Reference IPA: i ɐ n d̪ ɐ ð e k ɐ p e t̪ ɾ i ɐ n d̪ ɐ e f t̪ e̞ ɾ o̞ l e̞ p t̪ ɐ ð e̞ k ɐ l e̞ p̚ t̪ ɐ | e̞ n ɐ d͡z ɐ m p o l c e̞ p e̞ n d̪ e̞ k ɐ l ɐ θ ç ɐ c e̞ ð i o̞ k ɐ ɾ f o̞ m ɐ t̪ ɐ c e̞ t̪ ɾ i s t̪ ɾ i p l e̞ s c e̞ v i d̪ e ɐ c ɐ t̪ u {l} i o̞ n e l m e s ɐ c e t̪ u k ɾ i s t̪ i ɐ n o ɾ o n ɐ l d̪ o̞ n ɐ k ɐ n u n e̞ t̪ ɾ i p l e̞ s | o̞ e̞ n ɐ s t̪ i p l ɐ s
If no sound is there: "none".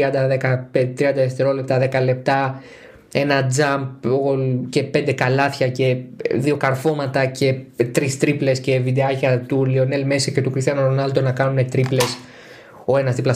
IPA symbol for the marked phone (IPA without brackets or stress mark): l